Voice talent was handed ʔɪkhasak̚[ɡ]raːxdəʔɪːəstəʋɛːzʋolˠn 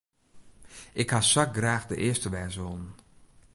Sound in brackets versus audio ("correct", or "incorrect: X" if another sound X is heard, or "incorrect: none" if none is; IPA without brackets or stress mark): correct